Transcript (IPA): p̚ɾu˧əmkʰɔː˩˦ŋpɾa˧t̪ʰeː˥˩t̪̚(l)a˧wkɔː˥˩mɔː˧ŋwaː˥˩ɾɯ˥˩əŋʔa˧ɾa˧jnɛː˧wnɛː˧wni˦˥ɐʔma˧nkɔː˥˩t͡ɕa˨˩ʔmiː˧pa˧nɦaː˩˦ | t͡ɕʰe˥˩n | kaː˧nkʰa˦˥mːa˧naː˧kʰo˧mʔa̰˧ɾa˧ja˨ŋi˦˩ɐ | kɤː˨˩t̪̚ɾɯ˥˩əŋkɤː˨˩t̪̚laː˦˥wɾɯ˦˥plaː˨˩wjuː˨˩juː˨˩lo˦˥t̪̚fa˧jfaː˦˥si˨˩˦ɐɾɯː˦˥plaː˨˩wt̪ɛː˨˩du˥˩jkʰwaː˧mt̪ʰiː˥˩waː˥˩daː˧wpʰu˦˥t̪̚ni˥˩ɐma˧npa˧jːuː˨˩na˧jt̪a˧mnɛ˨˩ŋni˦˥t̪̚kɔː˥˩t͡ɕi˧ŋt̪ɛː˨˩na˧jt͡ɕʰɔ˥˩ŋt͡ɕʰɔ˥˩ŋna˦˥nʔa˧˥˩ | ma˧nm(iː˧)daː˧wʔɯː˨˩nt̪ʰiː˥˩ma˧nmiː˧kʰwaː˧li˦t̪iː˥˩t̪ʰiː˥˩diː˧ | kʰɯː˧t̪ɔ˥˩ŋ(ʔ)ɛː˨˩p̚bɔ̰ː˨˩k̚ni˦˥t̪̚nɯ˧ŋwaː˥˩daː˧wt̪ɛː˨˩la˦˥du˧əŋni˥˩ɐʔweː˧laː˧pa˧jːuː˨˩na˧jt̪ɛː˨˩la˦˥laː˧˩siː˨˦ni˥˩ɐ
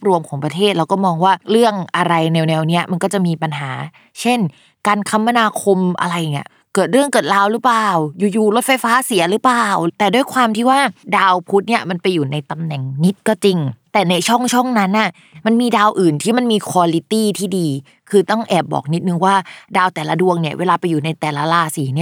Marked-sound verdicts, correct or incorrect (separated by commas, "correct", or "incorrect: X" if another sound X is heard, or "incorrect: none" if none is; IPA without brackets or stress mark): incorrect: ɾ, correct, correct